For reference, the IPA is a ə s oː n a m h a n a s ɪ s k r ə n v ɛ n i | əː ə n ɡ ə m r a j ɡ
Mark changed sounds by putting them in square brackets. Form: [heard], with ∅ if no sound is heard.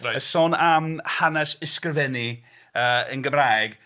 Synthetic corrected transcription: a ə s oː n a m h a n [ɛ] s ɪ s k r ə [∅] v ɛ n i | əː ə n ɡ ə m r a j ɡ

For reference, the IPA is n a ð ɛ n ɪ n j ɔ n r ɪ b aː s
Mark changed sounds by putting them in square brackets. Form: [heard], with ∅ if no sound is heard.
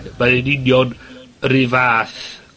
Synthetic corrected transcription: [m] a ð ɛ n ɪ n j ɔ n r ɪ [v] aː [θ]

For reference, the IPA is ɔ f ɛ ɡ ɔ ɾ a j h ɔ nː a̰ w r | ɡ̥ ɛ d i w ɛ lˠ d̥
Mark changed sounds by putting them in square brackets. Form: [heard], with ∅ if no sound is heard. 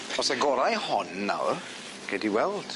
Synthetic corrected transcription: ɔ [s] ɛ ɡ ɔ ɾ a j h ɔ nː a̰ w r | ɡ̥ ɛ d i w ɛ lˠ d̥

